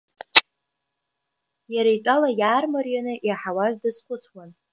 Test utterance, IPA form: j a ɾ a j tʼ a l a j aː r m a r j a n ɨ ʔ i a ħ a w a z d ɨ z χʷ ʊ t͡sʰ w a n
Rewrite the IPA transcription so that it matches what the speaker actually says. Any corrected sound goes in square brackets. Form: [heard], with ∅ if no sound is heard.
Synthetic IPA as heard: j a ɾ a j tʼ a l a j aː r m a r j a n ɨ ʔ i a ħ a w a z d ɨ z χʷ ʊ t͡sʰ w a n

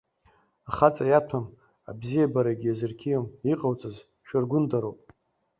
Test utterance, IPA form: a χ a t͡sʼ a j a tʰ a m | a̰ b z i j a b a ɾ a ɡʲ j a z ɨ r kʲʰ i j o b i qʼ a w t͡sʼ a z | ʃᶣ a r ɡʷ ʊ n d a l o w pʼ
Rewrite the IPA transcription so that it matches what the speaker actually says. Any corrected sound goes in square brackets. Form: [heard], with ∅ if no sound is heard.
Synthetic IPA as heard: a χ a t͡sʼ a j a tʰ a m | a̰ b z i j a b a ɾ a ɡʲ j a z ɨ r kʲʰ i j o [m] i qʼ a w t͡sʼ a z | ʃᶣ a r ɡʷ ʊ n d a [ɾ] o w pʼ

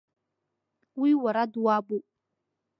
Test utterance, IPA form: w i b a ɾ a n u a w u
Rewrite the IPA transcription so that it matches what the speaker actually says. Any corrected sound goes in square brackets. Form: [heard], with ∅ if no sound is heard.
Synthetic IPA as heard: w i [w] a ɾ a [d] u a [b] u

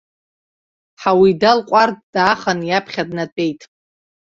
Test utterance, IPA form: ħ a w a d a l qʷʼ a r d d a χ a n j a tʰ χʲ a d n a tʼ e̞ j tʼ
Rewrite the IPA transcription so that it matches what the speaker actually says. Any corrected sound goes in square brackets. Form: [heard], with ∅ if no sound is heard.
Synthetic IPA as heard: ħ a w [i] d a l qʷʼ a r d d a χ a n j a [pʰ] χʲ a d n a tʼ e̞ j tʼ

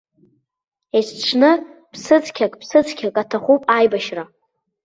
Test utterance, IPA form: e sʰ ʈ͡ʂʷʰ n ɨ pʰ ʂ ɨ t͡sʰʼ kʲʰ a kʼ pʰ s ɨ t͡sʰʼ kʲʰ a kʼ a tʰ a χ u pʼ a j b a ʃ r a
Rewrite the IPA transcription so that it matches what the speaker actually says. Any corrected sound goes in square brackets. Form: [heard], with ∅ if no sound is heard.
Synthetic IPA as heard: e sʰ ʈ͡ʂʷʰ n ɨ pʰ [s] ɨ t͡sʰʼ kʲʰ a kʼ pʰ s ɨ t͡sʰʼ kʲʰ a kʼ a tʰ a χ u pʼ a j b a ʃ r a

